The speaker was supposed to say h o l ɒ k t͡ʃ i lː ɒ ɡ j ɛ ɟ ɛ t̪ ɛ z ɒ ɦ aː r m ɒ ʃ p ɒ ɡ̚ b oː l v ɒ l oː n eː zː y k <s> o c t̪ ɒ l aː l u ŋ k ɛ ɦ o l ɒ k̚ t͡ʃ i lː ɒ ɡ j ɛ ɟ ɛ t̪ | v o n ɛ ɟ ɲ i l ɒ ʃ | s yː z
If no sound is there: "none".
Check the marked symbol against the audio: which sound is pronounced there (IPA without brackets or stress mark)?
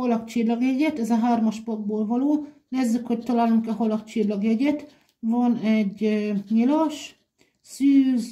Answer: h